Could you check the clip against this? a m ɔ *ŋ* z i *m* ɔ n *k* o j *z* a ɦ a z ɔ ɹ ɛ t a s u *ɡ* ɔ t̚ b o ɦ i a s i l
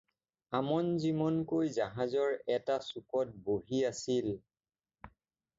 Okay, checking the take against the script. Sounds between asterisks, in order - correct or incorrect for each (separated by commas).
incorrect, correct, correct, correct, incorrect